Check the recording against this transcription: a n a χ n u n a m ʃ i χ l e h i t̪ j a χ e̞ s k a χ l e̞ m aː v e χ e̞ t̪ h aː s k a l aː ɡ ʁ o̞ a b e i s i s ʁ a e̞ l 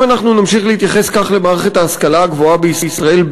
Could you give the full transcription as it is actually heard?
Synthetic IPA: a n a χ n u n a m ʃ i χ l e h i t̪ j a χ e̞ s k a χ l e̞ m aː ʁ e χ e̞ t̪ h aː s k a l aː ɡ v o̞ a b e i s i s ʁ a e̞ l